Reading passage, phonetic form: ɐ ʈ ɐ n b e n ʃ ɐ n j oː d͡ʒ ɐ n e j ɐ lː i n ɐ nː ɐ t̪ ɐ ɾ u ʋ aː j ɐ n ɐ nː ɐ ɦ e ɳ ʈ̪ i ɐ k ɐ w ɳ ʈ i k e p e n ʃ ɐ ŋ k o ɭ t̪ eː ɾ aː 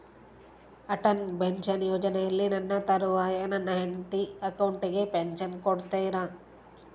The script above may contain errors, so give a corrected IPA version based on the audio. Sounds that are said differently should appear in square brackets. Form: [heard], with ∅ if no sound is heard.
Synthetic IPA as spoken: ɐ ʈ ɐ n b e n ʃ ɐ n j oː d͡ʒ ɐ n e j ɐ lː i n ɐ nː ɐ t̪ ɐ ɾ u ʋ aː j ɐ n ɐ nː ɐ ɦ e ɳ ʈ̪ i ɐ k ɐ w ɳ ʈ i [ɡ] e p e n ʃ ɐ [n] k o [ɽ] t̪ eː ɾ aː

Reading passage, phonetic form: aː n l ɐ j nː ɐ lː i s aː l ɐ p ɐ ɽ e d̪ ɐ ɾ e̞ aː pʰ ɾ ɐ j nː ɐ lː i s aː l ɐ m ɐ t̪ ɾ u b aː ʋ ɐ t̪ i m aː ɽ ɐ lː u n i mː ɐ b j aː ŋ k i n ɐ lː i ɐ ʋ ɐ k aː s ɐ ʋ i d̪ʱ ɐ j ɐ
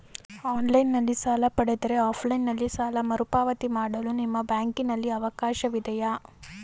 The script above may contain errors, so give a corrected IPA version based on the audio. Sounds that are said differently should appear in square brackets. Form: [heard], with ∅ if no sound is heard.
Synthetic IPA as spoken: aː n l ɐ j nː ɐ lː i s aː l ɐ p ɐ ɽ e d̪ ɐ ɾ e̞ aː pʰ [l] ɐ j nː ɐ lː i s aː l ɐ m ɐ [∅] ɾ u [p] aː ʋ ɐ t̪ i m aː ɽ ɐ [l] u n i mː ɐ b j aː ŋ k i n ɐ lː i ɐ ʋ ɐ k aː [ʃ] ɐ ʋ i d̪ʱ ɐ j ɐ

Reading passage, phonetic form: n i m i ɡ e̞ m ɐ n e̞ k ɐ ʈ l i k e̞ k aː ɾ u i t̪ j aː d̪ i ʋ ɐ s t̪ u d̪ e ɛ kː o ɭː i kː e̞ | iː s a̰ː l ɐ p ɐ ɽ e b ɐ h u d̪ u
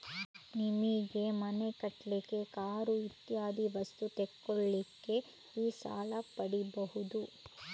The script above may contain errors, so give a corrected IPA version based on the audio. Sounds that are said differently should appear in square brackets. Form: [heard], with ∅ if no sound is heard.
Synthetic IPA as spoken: n i m i ɡ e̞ m ɐ n e̞ k ɐ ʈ l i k e̞ k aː ɾ u i t̪ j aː d̪ i ʋ ɐ s t̪ u [t̪] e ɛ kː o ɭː i kː e̞ | iː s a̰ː l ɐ p ɐ ɽ [i] b ɐ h u d̪ u

